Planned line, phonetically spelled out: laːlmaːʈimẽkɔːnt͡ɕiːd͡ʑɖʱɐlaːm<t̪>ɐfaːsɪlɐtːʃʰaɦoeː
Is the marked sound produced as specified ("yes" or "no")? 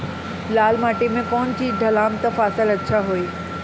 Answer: yes